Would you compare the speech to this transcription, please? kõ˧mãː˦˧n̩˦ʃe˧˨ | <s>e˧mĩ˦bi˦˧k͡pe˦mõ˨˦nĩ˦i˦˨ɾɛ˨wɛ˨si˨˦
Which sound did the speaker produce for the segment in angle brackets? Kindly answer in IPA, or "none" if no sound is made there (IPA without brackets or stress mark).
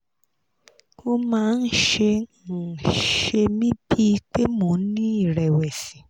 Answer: ʃ